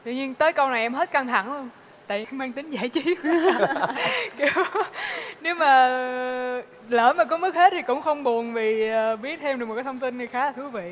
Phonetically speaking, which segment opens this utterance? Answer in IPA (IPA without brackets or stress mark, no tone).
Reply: t̪